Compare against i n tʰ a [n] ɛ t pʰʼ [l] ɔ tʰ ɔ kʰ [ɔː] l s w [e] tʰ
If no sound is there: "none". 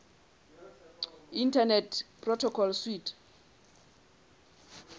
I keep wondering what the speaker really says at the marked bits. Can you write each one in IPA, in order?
n, r, ɔ, i

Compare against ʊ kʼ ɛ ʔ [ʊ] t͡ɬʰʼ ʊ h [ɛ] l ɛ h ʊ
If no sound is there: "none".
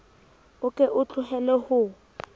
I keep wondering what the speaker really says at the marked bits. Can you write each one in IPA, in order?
ʊ, ɛ

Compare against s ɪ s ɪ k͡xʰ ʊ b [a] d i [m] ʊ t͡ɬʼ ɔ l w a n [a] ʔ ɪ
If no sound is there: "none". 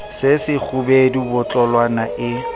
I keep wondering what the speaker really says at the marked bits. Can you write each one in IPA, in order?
e, b, a

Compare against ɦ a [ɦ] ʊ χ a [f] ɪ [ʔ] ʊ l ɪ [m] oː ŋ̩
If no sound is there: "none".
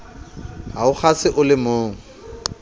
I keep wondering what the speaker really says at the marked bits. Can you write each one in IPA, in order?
none, s, ʔ, m

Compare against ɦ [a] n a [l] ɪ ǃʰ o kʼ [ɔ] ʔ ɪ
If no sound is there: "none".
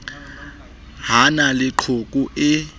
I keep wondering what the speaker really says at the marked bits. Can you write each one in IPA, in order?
a, l, u

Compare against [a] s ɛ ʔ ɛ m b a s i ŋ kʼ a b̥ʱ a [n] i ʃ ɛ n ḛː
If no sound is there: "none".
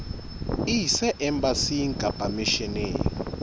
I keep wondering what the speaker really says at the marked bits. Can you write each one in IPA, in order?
i, m

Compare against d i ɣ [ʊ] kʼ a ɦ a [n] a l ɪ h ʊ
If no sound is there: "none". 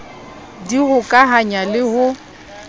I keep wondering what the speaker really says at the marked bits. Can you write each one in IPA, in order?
ʊ, ɲ

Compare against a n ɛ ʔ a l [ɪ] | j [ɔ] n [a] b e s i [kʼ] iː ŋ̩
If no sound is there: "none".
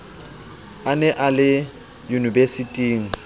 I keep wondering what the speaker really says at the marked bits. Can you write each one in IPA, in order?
ɪ, u, i, tʼ

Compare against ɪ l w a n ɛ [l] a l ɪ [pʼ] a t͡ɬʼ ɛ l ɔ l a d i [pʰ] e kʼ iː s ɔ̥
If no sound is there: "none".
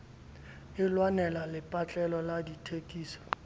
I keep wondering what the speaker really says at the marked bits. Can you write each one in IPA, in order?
l, pʼ, tʰ

